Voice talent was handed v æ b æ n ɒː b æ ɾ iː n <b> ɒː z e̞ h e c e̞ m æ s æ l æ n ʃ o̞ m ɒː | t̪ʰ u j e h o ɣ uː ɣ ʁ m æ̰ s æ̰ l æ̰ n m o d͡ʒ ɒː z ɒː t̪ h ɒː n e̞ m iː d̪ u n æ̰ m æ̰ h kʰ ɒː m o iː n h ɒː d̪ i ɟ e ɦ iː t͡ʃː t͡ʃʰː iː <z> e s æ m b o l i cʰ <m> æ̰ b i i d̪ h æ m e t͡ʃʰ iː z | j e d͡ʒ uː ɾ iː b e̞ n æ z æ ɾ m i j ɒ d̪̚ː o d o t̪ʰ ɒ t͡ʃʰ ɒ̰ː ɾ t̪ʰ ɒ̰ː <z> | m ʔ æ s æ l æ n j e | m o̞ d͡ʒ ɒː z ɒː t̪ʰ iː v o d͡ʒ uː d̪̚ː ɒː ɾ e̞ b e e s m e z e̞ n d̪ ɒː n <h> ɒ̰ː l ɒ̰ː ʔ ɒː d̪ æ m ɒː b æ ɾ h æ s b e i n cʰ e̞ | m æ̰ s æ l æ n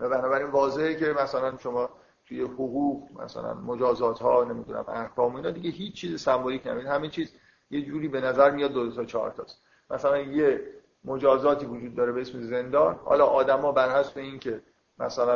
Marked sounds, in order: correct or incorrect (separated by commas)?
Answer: incorrect, correct, incorrect, incorrect, correct